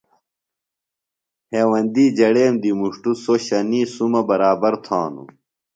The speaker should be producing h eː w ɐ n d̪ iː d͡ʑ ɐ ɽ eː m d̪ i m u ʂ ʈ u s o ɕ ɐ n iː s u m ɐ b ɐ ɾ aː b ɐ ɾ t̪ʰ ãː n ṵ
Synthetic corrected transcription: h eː w ɐ n d̪ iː d͡ʑ ɐ ɽ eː m d̪ i m u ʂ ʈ u s o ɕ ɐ n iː s u m ɐ b ɐ ɾ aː b ɐ ɾ t̪ʰ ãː n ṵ